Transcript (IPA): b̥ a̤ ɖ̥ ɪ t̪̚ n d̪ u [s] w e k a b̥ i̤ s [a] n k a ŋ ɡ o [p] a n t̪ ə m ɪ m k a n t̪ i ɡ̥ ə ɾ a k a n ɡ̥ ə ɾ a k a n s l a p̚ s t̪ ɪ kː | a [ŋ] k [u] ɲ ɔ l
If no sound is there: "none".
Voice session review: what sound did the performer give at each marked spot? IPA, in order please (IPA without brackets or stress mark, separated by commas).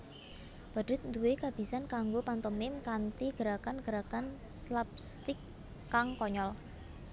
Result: none, a, p, ŋ, ɔ